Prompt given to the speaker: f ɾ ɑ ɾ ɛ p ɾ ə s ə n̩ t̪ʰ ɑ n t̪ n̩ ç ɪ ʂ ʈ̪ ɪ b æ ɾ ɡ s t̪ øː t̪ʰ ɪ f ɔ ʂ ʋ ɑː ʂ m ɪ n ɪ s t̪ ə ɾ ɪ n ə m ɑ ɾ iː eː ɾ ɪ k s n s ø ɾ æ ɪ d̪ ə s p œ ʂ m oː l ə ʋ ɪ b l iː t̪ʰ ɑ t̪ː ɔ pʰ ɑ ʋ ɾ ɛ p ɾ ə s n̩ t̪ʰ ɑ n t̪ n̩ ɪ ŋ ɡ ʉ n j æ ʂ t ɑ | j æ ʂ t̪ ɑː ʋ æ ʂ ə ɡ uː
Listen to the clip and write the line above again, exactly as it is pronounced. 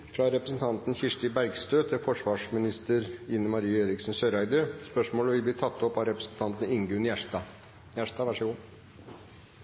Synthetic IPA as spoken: f ɾ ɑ ɾ ɛ p ɾ ə s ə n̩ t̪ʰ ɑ n t̪ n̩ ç ɪ ʂ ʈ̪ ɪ b æ ɾ ɡ s t̪ øː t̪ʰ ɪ f ɔ ʂ ʋ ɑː ʂ m ɪ n ɪ s t̪ ə ɾ ɪ n ə m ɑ ɾ iː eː ɾ ɪ k s n s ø ɾ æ ɪ d̪ ə s p œ ʂ m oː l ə ʋ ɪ b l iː t̪ʰ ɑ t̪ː ɔ p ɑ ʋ ɾ ɛ p ɾ ə s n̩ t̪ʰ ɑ n t̪ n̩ ɪ ŋ ɡ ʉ n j æ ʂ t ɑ | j æ ʂ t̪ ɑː ʋ æ ʂ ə ɡ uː

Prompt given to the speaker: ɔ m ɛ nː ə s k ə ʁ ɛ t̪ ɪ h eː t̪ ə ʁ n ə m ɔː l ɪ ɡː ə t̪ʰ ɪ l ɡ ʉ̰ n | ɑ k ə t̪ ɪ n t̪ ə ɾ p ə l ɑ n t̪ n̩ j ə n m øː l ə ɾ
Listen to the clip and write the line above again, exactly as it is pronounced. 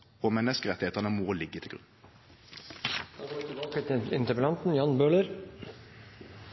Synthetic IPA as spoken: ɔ m ɛ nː ə s k ə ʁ ɛ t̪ ɪ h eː t̪ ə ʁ n ə m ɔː l ɪ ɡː ə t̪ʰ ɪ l ɡ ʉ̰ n | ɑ k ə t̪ ɪ n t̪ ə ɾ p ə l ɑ n t̪ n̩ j ɑ n b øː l ə ɾ

